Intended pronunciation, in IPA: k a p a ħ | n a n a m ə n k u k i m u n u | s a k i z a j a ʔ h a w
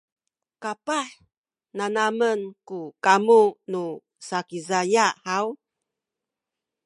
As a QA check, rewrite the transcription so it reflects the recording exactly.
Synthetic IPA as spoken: k a p a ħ | n a n a m ə n k u k a m u n u | s a k i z a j a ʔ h a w